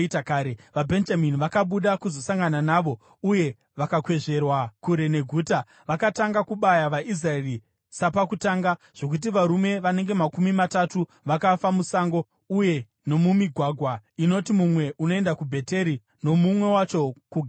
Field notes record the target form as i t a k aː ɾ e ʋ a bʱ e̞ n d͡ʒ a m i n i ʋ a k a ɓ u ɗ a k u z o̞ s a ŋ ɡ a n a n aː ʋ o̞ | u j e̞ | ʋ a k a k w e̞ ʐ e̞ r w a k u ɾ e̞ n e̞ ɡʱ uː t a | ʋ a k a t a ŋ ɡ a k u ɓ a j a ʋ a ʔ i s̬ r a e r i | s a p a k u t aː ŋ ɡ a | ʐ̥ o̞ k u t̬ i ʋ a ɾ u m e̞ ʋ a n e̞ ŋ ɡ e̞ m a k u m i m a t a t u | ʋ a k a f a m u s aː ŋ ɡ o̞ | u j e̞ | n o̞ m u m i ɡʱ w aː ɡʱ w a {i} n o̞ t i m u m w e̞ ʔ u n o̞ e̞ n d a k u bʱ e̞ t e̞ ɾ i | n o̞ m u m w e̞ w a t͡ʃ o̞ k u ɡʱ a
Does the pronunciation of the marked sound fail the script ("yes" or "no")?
no